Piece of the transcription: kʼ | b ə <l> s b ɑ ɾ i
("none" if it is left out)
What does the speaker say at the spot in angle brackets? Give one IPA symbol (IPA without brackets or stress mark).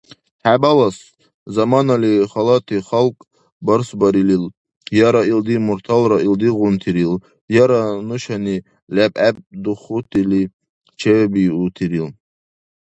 ɾ